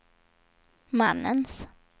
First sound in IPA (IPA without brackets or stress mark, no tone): m